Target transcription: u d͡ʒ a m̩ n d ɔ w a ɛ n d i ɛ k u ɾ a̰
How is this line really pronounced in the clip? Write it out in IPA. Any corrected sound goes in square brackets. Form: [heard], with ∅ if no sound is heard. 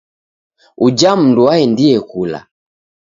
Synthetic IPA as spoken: u d͡ʒ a m̩ n d [u] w a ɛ n d i ɛ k u [l] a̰